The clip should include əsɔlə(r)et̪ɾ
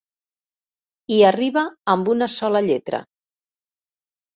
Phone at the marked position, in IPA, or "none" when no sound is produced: ʎ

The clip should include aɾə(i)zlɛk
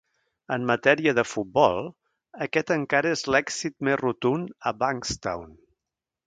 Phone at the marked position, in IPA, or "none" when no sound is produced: e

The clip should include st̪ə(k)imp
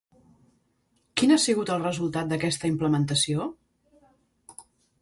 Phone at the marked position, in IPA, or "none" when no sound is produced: none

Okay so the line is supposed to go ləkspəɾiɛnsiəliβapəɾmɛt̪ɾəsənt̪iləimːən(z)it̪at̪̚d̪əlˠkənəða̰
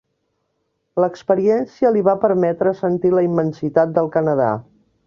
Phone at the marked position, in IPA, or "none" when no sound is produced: s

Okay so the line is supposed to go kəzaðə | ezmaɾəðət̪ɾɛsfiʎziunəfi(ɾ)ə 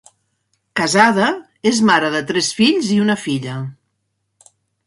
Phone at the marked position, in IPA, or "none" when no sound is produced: ʎ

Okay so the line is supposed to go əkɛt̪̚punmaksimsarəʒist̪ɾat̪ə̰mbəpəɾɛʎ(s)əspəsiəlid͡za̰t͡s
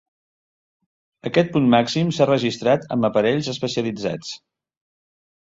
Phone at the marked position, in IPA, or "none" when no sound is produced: z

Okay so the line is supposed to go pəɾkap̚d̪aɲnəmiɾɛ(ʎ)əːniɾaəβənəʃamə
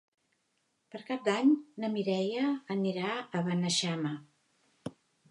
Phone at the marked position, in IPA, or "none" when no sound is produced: j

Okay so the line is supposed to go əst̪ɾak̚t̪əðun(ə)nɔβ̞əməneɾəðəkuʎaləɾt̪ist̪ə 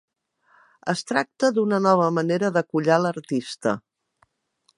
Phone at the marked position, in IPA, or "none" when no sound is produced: ə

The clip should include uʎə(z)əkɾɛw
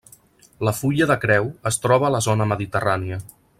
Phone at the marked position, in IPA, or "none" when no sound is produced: ð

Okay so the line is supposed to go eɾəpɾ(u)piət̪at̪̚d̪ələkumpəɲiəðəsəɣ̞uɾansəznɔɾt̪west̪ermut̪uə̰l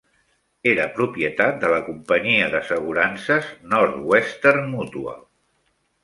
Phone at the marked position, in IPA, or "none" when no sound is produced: u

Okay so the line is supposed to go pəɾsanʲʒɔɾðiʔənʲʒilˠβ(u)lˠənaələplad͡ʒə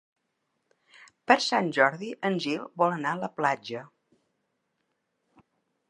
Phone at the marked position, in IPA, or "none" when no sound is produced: ɔ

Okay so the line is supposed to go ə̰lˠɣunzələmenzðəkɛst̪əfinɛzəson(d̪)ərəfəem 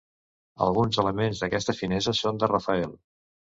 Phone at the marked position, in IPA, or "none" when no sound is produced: d̪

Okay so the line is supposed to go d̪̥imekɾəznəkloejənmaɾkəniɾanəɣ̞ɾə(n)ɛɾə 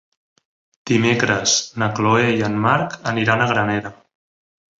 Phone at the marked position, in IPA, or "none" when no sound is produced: n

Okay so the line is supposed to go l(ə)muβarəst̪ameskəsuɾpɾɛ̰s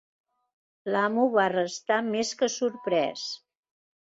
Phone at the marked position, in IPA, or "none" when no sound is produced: a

